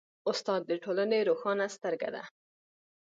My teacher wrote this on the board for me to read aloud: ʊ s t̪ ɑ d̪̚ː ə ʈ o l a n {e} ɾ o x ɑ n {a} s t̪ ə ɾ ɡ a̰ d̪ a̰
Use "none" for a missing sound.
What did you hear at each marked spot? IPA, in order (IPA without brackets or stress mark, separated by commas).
e, a